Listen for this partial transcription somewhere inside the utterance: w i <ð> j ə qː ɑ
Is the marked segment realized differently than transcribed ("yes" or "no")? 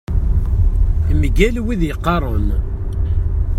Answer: no